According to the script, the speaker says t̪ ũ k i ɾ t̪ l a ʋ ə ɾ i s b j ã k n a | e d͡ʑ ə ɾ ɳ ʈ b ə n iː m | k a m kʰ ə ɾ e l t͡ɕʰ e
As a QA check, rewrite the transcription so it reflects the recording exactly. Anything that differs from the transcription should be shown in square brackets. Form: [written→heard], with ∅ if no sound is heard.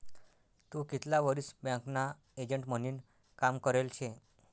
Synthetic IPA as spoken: t̪ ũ k i [ɾ→∅] t̪ l a ʋ ə ɾ i s b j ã k n a | e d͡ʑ ə [ɾ→∅] ɳ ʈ [b→m] ə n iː [m→n] | k a m [kʰ→k] ə ɾ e l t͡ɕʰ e